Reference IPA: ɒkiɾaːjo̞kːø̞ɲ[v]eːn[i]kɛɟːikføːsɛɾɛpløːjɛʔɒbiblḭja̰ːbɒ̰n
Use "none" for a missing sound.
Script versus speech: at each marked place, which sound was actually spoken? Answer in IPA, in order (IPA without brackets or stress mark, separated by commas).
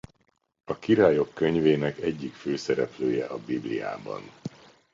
v, ɛ